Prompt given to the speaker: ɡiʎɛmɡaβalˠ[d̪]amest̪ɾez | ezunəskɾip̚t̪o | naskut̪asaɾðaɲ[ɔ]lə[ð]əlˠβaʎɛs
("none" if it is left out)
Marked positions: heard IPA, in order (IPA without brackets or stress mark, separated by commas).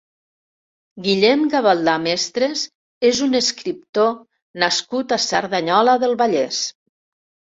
d̪, ɔ, ð